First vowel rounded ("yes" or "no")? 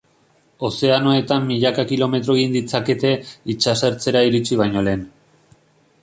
yes